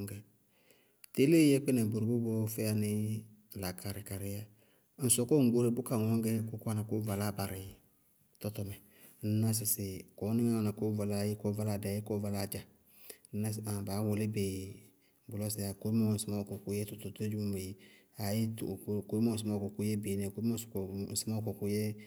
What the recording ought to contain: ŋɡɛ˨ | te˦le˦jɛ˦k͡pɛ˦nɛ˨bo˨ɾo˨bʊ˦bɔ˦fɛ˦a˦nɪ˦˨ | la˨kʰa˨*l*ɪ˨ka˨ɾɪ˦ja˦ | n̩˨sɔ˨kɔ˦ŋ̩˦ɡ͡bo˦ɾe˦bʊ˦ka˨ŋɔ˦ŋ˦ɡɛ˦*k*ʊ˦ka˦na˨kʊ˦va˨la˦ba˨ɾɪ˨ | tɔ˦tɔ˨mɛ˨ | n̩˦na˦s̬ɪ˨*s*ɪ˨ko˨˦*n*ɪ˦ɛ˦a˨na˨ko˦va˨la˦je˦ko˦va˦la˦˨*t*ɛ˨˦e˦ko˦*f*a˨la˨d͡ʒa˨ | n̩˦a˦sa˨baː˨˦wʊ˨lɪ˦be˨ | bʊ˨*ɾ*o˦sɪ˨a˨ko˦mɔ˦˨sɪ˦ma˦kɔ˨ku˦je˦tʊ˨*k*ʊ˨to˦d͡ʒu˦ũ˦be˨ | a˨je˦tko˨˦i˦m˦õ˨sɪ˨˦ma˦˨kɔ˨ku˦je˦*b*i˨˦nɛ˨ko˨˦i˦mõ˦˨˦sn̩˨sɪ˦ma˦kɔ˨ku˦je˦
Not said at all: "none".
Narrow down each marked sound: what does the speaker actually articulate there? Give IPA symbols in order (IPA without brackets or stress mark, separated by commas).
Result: ɾ, k, s, n, d, v, l, t, b